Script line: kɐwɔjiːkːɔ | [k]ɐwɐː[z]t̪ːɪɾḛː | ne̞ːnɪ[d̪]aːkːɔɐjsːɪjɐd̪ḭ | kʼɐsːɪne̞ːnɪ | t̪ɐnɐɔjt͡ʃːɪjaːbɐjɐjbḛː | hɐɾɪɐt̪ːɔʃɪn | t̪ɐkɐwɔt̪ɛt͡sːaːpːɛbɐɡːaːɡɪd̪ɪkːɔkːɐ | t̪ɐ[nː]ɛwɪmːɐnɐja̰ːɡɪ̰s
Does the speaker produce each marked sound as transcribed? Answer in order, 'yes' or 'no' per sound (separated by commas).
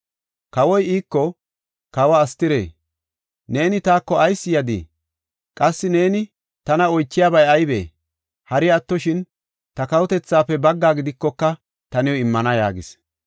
yes, no, no, no